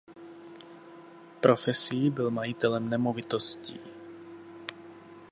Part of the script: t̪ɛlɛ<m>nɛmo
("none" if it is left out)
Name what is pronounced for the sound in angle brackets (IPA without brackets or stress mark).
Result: m